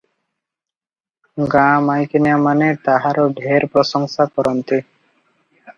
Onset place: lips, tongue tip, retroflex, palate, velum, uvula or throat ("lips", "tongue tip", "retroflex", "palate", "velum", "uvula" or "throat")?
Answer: velum